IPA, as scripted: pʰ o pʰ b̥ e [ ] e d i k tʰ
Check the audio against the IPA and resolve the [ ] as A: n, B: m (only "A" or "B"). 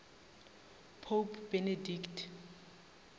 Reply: A